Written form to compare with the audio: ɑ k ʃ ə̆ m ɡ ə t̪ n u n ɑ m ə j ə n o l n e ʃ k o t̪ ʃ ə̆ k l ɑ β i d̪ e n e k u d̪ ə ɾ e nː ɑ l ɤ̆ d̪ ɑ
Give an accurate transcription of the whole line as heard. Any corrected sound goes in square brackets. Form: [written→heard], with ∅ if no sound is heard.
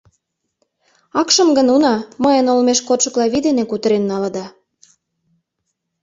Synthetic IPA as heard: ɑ k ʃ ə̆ m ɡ ə [t̪→∅] n u n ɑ m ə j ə n o l [n→m] e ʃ k o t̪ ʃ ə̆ k l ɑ β i d̪ e n e k u [d̪→t̪] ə ɾ e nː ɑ l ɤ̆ d̪ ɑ